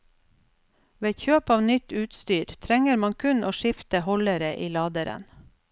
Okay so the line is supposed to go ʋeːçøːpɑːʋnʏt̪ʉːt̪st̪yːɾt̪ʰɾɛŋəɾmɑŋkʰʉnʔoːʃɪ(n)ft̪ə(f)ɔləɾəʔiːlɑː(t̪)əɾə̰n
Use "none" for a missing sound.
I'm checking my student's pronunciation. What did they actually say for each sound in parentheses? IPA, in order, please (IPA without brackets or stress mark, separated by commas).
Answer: none, h, d̪